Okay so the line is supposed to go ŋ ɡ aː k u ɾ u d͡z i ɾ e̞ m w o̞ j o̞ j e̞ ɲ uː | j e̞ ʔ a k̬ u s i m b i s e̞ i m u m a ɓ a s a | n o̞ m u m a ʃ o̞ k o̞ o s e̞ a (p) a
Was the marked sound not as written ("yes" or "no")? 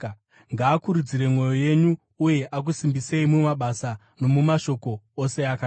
yes